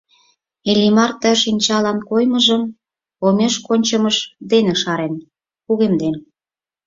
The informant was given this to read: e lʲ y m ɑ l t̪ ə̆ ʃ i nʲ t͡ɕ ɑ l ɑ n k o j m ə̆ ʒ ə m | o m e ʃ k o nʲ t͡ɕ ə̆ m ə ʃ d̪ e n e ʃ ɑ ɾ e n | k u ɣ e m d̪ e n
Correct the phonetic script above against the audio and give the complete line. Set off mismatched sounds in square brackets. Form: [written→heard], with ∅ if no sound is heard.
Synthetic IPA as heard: e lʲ [y→i] m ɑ [l→r] t̪ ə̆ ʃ i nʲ t͡ɕ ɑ l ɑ n k o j m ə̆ ʒ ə m | o m e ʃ k o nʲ t͡ɕ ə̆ m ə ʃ d̪ e n e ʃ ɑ ɾ e n | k u ɣ e m d̪ e n

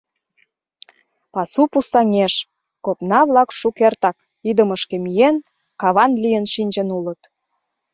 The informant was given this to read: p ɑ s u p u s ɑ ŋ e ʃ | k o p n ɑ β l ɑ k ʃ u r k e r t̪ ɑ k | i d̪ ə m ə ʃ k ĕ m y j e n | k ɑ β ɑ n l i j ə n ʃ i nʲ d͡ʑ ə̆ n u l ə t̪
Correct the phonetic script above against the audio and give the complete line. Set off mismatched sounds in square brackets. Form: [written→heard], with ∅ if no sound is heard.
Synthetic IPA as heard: p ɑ s u p u s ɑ ŋ e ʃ | k o p n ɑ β l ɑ k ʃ u [r→∅] k e r t̪ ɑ k | i d̪ ə m ə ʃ k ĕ m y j e n | k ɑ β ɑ n l i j ə n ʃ i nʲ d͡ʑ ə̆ n u l ə t̪

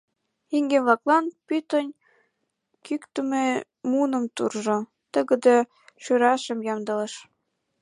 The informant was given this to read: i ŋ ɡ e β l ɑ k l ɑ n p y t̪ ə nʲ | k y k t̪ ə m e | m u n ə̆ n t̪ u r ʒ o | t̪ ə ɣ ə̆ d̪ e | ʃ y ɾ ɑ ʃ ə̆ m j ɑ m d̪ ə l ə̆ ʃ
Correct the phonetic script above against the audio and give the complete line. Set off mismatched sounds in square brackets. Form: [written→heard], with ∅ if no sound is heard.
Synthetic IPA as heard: i ŋ ɡ e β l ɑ k l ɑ n p y t̪ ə nʲ | k y k t̪ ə m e | m u n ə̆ [n→m] t̪ u r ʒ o | t̪ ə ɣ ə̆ d̪ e | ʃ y ɾ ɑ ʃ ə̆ m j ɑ m d̪ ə l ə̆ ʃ

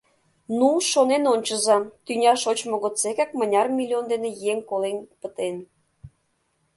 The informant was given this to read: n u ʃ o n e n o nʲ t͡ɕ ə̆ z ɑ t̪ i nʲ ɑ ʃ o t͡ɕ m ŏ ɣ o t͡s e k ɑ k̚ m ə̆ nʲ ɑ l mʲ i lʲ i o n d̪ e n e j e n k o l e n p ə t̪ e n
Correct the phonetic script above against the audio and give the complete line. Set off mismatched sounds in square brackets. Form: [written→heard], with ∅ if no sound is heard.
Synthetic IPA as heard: n u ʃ o n e n o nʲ t͡ɕ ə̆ z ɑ t̪ [i→y] nʲ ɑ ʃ o t͡ɕ m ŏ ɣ o t͡s e k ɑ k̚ m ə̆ nʲ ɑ [l→r] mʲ i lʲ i o n d̪ e n e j e [n→ŋ] k o l e n p ə t̪ e n

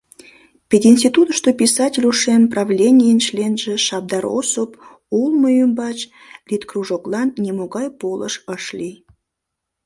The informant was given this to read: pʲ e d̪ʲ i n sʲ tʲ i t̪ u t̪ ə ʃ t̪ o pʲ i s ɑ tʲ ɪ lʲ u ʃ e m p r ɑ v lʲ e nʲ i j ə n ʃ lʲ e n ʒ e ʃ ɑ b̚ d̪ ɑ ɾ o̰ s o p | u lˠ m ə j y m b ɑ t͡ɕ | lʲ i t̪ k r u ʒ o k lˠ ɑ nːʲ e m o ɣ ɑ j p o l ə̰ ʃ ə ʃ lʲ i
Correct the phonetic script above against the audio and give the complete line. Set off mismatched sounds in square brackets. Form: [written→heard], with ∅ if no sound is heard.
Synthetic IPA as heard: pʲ e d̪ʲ i n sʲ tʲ i t̪ u t̪ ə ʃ t̪ o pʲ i s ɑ tʲ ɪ lʲ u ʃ e m p r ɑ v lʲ e nʲ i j ə n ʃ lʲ e n ʒ e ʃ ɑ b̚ d̪ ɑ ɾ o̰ s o p | u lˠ m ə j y m b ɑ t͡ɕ | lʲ i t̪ k r u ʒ o k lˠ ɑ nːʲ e m o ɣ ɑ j p o l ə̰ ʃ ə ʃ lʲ i

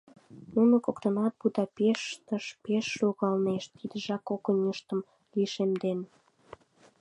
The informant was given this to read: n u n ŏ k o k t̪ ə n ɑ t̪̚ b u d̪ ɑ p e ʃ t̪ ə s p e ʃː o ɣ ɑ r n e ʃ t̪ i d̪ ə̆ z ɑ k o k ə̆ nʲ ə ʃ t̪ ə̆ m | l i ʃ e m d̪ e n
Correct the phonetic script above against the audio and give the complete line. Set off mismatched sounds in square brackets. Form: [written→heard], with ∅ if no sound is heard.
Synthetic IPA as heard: n u n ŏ k o k t̪ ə n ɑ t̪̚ b u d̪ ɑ p e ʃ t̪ ə [s→ʃ] p e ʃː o ɣ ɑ [r→l] n e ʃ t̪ i d̪ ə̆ [z→ʒ] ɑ k o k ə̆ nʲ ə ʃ t̪ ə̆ m | l i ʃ e m d̪ e n

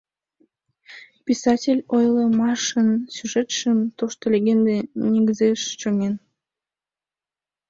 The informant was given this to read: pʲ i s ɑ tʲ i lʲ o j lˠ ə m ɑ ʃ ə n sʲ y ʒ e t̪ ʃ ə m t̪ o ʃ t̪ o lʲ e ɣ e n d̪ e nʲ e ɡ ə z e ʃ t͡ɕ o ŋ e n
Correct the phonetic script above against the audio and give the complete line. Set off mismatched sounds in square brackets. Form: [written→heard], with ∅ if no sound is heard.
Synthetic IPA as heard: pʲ i s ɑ tʲ [i→e] lʲ o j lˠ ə m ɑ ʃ ə n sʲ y ʒ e t̪ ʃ ə m t̪ o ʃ t̪ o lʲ e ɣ e n d̪ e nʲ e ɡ ə z e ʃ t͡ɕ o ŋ e n

